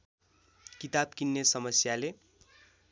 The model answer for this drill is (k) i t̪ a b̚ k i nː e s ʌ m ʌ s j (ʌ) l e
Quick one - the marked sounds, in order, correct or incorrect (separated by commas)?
correct, incorrect